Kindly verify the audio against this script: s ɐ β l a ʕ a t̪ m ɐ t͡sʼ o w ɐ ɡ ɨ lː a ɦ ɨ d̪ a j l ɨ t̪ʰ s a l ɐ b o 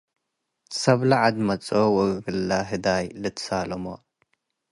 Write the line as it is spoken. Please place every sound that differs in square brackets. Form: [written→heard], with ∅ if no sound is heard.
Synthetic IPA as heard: s ɐ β l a ʕ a [t̪→d̪] m ɐ t͡sʼ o w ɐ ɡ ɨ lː a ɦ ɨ d̪ a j l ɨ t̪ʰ s a l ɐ [b→m] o